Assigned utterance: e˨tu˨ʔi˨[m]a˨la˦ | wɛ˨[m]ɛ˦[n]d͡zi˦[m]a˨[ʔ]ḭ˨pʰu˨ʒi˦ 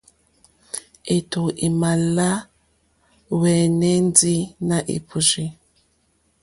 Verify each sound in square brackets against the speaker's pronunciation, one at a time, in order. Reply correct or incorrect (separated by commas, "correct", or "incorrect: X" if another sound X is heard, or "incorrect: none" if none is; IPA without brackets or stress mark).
correct, incorrect: n, correct, incorrect: n, correct